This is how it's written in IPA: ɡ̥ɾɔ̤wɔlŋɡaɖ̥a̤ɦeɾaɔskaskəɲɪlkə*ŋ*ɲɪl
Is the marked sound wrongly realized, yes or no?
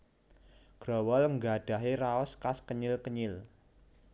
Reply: yes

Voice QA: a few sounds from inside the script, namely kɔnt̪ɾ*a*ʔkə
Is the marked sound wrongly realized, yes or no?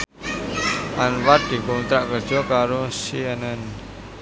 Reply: no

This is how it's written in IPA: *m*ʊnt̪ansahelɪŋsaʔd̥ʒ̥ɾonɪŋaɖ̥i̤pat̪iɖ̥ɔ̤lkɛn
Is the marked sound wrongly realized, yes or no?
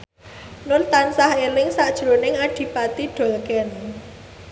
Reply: yes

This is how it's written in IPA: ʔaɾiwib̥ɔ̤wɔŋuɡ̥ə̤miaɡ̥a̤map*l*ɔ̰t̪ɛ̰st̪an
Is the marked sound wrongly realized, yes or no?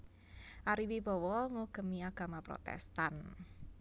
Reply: yes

